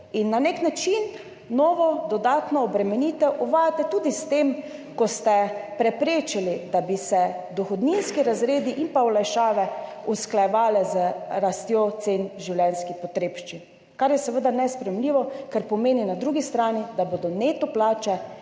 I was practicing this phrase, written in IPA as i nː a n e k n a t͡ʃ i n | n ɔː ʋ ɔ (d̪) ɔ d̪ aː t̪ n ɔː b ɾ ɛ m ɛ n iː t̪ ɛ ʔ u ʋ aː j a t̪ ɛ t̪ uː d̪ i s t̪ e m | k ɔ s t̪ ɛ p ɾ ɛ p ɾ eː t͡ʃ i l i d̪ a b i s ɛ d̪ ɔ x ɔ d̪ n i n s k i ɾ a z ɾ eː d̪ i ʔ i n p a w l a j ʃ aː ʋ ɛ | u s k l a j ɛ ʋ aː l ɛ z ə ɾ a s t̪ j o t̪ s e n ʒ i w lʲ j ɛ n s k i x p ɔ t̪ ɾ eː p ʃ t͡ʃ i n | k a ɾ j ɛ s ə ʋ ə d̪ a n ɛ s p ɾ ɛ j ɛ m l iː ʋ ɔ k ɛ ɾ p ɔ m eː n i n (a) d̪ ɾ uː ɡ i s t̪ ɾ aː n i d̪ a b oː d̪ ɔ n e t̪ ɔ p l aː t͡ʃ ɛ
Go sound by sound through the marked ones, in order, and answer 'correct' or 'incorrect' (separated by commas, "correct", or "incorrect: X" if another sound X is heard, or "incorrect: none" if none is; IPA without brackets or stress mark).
correct, correct